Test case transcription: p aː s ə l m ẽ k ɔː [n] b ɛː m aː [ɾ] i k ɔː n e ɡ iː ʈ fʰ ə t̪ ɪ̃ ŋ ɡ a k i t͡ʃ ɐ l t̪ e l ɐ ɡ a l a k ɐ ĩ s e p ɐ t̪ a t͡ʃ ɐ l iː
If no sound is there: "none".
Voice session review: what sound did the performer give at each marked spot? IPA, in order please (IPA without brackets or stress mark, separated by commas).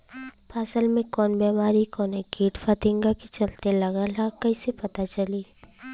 n, ɾ